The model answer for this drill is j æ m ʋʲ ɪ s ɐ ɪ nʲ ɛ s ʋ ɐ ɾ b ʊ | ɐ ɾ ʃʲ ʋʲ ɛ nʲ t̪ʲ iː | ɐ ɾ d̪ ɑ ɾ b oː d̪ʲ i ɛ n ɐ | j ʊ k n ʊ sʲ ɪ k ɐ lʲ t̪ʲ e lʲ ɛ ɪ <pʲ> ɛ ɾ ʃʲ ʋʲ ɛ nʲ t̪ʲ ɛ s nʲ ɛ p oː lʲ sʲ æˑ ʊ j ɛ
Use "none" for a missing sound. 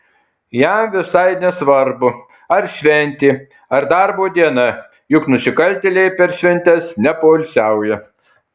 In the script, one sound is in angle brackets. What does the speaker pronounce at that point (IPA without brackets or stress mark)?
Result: pʲ